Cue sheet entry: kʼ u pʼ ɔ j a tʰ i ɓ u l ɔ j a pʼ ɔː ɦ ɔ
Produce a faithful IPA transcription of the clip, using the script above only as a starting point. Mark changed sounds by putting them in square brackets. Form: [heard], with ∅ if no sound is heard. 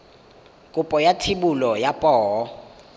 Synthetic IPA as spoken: kʼ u pʼ ɔ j a tʰ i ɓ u l ɔ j a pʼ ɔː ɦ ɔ

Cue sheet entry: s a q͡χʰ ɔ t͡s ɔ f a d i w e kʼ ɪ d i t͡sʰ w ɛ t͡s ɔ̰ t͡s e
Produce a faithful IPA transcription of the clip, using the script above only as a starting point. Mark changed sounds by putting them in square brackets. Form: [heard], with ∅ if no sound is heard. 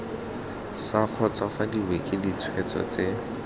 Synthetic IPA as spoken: s a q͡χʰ ɔ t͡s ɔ f a d i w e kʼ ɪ d i t͡sʰ w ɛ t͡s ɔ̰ t͡s e

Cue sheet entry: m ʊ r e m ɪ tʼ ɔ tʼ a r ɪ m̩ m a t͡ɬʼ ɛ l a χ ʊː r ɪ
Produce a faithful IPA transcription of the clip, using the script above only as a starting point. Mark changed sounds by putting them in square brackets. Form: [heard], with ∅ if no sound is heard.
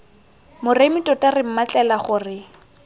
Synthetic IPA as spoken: m ʊ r e m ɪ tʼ ɔ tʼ a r ɪ m̩ m a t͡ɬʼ ɛ l a χ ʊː r ɪ

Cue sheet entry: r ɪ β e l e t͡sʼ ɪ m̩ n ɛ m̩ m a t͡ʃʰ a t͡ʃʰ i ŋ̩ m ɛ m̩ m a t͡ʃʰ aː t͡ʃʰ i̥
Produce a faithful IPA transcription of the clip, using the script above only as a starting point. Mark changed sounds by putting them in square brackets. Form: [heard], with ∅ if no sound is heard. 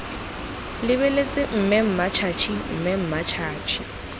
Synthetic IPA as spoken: [l] ɪ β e l e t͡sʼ ɪ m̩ [m] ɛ m̩ m a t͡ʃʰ a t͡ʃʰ i [m̩] m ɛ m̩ m a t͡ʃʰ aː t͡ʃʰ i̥

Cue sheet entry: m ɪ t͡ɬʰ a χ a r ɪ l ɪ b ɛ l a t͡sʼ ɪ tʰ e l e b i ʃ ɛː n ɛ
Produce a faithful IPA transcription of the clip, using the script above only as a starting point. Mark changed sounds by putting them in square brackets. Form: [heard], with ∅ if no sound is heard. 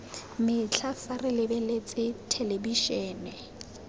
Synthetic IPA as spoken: m ɪ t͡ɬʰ a [f] a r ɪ l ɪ b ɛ l [e] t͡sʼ ɪ tʰ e l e b i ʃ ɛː n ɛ

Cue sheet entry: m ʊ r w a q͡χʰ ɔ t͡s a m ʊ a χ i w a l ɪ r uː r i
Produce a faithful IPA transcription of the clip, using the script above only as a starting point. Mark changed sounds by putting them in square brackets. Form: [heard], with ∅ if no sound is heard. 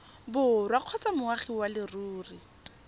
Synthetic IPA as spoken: [b] ʊ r w a q͡χʰ ɔ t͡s a m ʊ a χ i w a l ɪ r uː r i

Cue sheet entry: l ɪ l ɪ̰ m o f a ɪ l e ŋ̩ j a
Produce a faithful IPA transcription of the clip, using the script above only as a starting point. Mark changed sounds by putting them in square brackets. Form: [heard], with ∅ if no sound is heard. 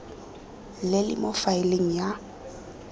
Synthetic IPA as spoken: l ɪ l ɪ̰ m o f a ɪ l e ŋ̩ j a

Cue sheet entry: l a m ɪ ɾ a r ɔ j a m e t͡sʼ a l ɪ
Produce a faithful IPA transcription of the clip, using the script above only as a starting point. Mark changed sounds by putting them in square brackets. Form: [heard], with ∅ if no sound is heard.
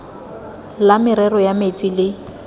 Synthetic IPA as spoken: l a m ɪ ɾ [ɛ] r ɔ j a m e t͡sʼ [i] l ɪ

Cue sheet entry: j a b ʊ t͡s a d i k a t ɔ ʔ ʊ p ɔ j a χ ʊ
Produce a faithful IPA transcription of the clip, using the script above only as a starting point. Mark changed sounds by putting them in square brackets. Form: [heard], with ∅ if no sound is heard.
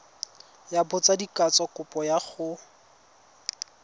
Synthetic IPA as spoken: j a b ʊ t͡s a d i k a [t͡s] ɔ [k] ʊ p ɔ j a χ ʊ

